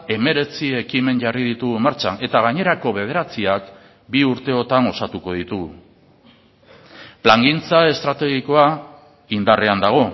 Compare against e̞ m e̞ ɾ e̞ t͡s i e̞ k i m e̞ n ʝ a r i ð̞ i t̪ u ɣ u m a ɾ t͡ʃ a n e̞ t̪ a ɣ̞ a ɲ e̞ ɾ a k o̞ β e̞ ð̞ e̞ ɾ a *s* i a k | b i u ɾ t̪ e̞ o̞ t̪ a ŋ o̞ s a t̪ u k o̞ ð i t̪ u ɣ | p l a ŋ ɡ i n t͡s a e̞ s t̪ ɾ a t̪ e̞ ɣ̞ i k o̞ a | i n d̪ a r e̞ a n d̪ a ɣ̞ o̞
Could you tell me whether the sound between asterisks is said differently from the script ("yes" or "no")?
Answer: yes